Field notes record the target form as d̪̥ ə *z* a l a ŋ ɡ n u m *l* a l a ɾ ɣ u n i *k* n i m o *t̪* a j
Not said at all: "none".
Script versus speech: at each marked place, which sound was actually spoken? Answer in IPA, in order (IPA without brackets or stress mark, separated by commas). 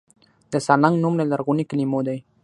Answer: s, l, k, d̪